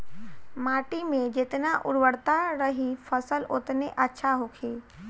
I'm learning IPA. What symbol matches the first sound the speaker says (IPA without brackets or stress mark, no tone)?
m